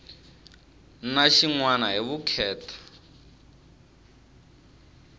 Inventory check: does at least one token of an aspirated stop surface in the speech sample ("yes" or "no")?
yes